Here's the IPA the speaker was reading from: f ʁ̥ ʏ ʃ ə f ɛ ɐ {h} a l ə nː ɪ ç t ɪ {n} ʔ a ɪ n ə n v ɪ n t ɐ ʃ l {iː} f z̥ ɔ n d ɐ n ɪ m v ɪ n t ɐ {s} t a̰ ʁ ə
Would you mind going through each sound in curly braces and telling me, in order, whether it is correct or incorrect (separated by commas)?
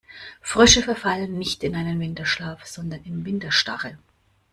incorrect, correct, incorrect, incorrect